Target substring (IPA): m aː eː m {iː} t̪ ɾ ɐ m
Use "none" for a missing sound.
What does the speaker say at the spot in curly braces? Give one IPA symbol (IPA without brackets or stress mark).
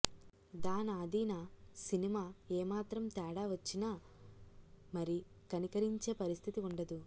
aː